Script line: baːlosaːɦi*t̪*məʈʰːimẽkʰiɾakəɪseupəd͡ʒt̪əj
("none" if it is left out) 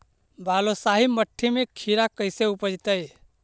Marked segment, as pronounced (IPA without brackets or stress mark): none